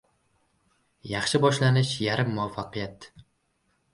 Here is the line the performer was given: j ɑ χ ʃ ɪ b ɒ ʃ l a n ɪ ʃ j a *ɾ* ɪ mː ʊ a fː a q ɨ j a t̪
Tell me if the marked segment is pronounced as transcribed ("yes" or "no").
yes